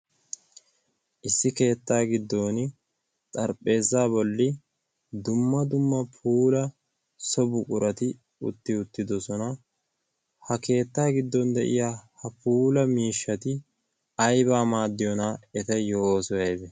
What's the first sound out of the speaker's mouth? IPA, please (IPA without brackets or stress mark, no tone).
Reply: ʔ